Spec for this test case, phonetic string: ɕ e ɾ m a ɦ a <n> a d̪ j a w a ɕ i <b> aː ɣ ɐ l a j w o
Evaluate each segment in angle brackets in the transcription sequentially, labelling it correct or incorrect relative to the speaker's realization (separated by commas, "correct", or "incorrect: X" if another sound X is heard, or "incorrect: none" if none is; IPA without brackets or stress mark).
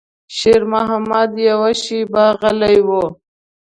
incorrect: m, correct